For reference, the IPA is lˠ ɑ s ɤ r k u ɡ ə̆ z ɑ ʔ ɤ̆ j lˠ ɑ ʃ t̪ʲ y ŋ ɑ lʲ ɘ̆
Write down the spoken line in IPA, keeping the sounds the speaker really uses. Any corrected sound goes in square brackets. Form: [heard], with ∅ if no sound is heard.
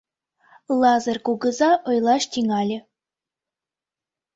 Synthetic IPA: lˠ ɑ [z] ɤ r k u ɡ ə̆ z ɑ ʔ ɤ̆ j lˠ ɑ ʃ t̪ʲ [i] ŋ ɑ lʲ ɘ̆